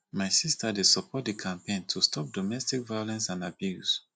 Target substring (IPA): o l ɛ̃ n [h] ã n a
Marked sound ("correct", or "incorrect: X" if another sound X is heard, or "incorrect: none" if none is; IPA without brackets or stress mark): incorrect: s